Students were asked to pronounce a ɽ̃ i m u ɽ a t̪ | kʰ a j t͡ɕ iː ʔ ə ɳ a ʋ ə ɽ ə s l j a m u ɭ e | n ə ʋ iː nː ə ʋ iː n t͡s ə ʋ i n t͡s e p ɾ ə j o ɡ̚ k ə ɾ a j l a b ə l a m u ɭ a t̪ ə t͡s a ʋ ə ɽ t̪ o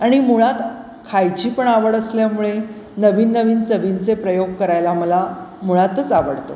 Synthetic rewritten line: a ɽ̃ i m u ɭ a t̪ | kʰ a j t͡ɕ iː p ə ɳ a ʋ ə ɽ ə s l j a m u ɭ e | n ə ʋ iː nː ə ʋ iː n t͡s ə ʋ i n t͡s e p ɾ ə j o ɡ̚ k ə ɾ a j l a m ə l a m u ɭ a t̪ ə t͡s a ʋ ə ɽ t̪ o